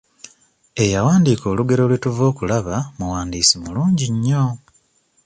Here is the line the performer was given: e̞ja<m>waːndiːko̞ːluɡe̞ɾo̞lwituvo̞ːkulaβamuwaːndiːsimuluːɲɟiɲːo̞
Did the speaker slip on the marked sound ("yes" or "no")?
yes